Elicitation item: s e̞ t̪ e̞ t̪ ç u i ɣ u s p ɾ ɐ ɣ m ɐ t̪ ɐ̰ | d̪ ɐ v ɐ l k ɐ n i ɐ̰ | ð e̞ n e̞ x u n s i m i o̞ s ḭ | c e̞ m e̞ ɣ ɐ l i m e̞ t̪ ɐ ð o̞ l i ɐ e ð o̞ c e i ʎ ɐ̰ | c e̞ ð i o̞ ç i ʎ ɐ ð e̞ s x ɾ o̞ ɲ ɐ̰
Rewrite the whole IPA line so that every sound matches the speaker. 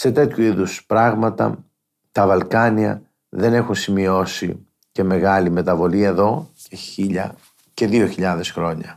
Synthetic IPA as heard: s e̞ t̪ e̞ t̪ ç u i ð u s p ɾ ɐ ɣ m ɐ t̪ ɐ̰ | t̪ ɐ v ɐ l k ɐ n i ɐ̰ | ð e̞ n e̞ x u n s i m i o̞ s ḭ | c e̞ m e̞ ɣ ɐ l i m e̞ t̪ ɐ v o̞ l i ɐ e ð o̞ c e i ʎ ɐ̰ | c e̞ ð i o̞ ç i ʎ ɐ ð e̞ s x ɾ o̞ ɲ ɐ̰